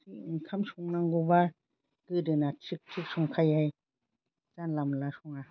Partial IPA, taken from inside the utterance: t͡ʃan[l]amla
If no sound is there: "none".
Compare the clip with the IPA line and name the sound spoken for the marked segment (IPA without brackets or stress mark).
l